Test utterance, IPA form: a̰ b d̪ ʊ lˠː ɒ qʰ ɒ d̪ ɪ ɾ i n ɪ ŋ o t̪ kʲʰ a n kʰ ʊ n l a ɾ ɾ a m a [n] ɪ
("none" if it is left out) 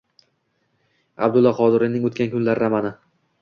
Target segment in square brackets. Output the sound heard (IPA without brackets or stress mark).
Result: n